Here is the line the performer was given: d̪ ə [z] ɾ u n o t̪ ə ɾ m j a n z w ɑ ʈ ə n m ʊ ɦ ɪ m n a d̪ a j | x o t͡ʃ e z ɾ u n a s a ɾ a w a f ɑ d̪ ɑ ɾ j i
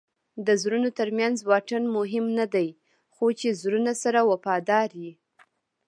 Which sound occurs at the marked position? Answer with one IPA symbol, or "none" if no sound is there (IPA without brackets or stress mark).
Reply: z